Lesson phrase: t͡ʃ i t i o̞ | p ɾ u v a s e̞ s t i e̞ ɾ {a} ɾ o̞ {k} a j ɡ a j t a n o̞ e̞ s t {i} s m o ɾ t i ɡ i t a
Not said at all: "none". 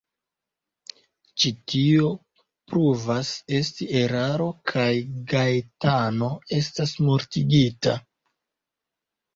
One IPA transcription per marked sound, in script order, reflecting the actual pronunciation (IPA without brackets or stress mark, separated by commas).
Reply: a, kʰ, a